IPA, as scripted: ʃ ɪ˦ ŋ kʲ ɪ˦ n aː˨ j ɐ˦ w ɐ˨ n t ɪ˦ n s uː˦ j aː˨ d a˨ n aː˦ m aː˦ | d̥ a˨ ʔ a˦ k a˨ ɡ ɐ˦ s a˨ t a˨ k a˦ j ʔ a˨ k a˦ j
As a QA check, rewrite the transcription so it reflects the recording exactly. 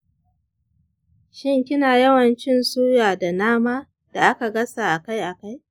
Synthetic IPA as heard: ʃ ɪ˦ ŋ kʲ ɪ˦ n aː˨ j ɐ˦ w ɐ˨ n t͡ʃ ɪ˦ n s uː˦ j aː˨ d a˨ n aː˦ m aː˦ | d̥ a˨ ʔ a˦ k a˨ ɡ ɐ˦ s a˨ ʔ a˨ k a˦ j ʔ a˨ k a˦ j